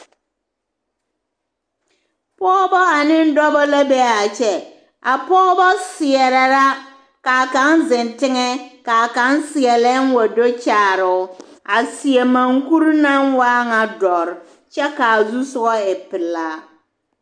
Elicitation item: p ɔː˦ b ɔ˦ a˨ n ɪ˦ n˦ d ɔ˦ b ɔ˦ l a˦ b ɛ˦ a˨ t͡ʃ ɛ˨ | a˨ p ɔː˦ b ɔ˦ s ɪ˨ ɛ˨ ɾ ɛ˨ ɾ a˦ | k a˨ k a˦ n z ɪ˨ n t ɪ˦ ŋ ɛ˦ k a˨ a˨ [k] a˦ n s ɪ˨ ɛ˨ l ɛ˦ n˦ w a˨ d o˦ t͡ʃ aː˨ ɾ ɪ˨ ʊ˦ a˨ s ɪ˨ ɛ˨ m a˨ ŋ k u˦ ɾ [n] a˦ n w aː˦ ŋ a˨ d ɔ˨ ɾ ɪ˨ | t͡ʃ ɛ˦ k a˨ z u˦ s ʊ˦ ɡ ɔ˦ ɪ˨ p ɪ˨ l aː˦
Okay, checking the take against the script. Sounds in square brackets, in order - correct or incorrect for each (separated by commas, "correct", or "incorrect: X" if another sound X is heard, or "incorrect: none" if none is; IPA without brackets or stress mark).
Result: correct, correct